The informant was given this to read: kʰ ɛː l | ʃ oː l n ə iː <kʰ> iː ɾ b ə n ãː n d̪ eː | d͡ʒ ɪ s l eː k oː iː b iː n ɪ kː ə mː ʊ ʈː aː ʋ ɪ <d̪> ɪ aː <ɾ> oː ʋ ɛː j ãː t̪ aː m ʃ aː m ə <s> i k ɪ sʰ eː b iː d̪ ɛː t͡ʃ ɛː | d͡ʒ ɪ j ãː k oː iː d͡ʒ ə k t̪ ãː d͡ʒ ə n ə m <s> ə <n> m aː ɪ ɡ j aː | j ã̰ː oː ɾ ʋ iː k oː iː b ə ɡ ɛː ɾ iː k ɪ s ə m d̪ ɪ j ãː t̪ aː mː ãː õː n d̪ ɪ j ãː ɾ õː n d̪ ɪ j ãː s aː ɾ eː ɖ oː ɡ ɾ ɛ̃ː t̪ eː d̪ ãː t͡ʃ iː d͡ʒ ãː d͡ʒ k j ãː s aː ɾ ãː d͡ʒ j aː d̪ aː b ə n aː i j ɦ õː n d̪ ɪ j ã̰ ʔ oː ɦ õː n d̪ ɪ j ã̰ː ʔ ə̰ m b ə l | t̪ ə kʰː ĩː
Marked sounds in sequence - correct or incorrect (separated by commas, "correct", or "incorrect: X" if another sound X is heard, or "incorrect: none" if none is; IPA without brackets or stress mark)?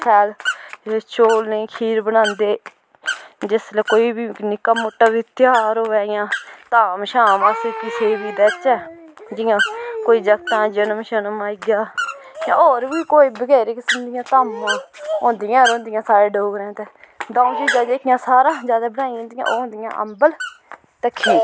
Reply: correct, incorrect: t̪, correct, correct, incorrect: ʃ, correct